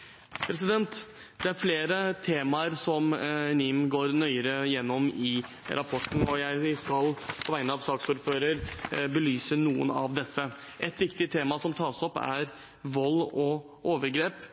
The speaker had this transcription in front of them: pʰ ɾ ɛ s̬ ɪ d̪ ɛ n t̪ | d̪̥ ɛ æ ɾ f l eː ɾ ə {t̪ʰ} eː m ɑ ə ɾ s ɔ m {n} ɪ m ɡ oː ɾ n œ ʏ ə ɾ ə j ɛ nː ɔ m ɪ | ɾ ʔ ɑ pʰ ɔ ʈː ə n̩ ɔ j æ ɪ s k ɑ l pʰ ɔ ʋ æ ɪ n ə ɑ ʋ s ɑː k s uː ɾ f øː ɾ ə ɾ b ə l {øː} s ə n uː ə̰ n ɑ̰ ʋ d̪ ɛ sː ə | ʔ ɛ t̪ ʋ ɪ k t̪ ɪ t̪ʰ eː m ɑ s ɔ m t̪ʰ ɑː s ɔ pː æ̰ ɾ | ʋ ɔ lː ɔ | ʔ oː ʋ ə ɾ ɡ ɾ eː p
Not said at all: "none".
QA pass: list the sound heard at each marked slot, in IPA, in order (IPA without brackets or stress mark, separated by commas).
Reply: t̪ʰ, n, yː